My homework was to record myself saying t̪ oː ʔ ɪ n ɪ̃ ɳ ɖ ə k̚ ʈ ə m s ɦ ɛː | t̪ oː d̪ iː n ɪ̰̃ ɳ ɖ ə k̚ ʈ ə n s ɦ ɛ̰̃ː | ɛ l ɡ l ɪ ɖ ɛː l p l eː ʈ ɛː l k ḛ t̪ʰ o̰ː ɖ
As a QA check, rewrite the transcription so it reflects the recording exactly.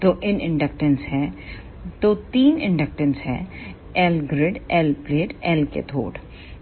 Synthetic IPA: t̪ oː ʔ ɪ n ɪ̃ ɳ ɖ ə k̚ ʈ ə n s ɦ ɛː | t̪ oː t̪ iː n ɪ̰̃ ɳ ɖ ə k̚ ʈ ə n s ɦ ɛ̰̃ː | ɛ l ɡ ɾ ɪ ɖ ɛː l p l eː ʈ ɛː l k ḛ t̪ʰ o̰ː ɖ